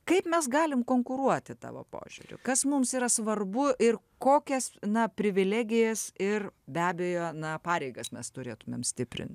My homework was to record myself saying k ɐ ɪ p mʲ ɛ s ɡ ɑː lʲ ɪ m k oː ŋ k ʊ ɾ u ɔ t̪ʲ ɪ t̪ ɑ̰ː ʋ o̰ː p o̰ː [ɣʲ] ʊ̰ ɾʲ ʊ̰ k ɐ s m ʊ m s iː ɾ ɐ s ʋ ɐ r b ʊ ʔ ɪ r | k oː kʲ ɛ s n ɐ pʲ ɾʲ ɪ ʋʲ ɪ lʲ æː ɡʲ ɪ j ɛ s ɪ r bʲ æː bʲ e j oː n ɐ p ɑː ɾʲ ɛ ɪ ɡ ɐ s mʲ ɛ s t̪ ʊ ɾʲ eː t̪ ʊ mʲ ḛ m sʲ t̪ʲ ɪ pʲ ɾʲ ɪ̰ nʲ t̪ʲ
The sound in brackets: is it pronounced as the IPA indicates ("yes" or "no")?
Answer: no